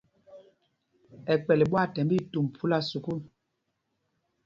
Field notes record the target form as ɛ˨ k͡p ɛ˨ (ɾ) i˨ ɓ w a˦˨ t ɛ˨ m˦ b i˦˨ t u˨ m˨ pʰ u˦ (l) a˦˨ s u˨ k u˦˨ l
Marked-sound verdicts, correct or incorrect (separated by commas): incorrect, correct